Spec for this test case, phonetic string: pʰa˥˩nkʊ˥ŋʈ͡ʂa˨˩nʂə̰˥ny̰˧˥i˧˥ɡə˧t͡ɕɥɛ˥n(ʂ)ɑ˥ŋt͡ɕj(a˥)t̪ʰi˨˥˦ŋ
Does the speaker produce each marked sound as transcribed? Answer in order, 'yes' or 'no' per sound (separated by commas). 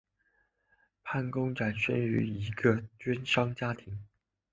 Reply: yes, yes